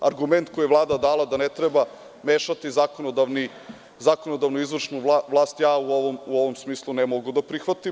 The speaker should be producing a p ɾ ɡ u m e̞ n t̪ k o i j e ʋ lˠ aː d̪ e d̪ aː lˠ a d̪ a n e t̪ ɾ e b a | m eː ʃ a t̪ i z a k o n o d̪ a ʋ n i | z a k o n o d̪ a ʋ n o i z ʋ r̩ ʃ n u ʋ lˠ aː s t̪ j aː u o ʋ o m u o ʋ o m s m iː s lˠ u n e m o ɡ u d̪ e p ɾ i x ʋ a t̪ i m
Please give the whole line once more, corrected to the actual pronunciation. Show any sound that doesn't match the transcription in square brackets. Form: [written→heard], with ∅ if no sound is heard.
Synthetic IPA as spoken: a [p→∅] ɾ ɡ u m e̞ n t̪ k o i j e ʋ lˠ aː d̪ [e→a] d̪ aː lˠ a d̪ a n e t̪ ɾ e b a | m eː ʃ a t̪ i z a k o n o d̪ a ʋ n i | z a k o n o d̪ a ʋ n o i z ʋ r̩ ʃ n u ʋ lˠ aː s t̪ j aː u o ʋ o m u o ʋ o m s m iː s lˠ u n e m o ɡ u d̪ [e→a] p ɾ i x ʋ a t̪ i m